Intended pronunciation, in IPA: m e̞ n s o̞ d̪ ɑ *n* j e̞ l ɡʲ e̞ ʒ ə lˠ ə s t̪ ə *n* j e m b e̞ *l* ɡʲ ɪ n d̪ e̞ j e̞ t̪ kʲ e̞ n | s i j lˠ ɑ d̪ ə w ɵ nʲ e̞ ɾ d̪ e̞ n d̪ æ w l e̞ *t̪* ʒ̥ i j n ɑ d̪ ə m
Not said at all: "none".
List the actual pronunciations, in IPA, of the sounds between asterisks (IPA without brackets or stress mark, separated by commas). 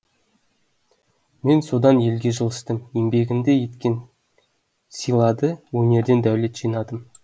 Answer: n, m, none, t̪